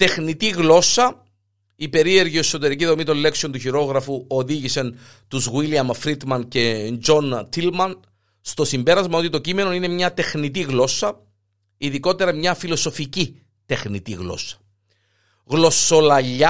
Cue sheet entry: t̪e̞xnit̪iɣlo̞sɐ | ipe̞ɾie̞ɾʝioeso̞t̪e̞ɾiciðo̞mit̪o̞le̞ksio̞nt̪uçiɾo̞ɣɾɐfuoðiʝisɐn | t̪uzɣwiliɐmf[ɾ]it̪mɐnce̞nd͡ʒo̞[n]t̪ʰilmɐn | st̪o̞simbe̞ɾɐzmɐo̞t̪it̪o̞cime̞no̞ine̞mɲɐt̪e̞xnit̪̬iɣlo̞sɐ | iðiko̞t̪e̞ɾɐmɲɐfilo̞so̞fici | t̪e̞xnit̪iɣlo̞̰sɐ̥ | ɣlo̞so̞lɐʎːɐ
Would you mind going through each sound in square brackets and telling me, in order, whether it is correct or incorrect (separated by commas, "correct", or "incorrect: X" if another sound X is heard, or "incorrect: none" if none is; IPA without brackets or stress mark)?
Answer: correct, correct